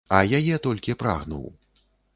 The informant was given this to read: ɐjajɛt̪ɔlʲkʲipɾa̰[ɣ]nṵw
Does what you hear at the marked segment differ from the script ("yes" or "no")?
no